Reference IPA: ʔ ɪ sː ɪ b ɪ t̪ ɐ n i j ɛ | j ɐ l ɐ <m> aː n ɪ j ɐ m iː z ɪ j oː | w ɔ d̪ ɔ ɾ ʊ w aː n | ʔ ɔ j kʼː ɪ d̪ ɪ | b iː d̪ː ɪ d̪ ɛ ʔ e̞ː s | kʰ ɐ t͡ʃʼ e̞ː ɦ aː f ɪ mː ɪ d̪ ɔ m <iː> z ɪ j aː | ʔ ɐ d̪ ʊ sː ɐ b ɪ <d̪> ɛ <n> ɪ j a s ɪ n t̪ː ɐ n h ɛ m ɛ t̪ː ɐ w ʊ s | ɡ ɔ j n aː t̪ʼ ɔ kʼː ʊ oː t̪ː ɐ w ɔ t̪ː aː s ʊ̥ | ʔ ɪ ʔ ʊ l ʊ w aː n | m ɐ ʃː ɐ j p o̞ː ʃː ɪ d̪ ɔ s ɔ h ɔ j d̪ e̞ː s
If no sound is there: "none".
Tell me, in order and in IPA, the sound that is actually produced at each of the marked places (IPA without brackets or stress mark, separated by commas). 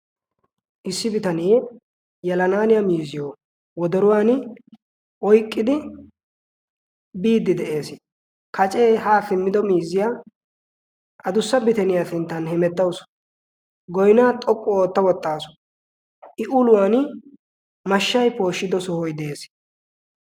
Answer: n, iː, t̪, n